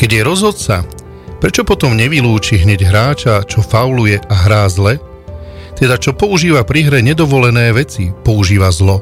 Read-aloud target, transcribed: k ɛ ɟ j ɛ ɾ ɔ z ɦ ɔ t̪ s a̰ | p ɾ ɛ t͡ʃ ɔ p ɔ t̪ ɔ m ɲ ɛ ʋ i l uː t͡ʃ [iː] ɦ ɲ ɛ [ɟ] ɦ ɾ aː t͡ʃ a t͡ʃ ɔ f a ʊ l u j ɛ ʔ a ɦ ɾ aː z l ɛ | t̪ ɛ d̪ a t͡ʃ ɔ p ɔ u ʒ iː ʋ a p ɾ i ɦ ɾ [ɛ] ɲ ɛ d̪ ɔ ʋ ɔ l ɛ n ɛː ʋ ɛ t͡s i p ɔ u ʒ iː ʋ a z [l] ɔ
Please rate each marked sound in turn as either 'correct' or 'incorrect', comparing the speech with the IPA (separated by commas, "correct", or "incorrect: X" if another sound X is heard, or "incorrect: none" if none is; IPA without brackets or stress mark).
incorrect: i, correct, correct, correct